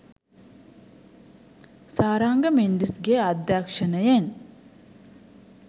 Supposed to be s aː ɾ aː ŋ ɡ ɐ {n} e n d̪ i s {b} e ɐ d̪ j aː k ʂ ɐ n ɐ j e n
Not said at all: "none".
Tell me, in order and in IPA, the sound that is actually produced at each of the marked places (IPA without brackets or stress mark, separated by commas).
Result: m, ɡ